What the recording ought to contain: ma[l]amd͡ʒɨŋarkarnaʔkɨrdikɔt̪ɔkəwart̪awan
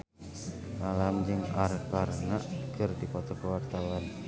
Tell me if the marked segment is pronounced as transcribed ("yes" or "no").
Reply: yes